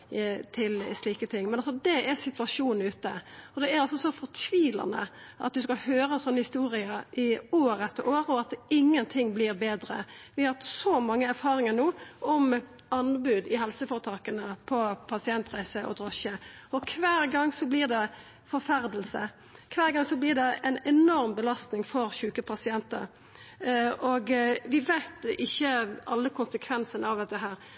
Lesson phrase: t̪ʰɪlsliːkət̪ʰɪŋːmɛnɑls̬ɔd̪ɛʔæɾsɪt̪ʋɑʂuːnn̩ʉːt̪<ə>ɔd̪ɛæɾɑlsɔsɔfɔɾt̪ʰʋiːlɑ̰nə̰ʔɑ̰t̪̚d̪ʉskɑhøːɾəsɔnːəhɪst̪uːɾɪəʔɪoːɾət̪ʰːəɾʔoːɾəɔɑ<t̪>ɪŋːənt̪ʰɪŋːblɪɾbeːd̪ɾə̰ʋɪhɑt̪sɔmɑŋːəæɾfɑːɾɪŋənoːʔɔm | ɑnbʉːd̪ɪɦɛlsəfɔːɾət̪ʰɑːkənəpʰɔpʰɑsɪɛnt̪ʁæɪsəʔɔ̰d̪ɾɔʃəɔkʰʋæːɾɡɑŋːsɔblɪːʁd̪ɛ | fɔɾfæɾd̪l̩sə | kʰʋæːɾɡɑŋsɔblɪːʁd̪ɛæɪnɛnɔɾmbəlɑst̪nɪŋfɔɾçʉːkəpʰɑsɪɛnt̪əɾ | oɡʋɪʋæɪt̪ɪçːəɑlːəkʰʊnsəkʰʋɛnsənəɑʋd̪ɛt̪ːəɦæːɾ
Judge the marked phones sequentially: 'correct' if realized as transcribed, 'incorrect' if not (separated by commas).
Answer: correct, correct